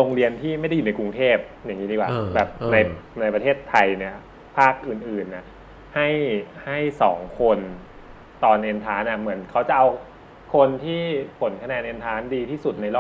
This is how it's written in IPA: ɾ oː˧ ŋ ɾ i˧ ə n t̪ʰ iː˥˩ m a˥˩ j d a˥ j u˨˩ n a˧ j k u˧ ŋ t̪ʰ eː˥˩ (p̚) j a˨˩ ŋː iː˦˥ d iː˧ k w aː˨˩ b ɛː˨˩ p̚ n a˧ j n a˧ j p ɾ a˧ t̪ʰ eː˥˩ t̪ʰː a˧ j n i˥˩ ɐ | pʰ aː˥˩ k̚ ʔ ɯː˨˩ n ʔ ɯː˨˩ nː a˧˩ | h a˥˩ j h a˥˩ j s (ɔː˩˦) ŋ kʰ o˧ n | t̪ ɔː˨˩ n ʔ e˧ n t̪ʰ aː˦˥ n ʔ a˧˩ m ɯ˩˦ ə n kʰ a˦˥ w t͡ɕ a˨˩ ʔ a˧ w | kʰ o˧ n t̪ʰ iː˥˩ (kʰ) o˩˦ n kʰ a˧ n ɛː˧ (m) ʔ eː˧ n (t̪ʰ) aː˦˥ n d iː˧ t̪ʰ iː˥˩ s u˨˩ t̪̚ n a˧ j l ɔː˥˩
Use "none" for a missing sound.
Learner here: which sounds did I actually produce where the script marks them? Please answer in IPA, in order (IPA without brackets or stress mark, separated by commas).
p̚, ɔː˩˦, pʰ, n, t̪ʰ